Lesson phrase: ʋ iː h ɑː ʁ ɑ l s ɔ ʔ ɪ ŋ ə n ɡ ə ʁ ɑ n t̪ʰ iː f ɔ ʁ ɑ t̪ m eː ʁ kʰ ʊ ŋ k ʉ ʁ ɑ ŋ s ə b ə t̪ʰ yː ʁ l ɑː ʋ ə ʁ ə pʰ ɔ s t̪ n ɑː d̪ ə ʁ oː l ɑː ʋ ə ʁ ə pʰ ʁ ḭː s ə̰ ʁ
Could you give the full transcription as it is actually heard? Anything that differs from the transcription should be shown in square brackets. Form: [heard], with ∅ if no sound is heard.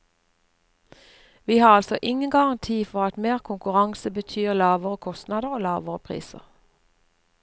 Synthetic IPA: ʋ iː h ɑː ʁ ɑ l s ɔ ʔ ɪ ŋ ə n ɡ [ɑ] ʁ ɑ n t̪ʰ iː f ɔ ʁ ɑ t̪ m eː ʁ kʰ ʊ ŋ k ʉ ʁ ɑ ŋ s ə b ə t̪ʰ yː ʁ l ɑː ʋ ə ʁ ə [kʰ] ɔ s t̪ n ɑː d̪ ə ʁ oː l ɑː ʋ ə ʁ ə pʰ ʁ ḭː s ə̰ ʁ